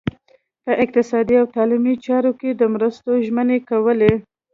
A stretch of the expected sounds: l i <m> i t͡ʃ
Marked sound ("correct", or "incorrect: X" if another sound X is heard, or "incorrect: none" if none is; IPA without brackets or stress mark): correct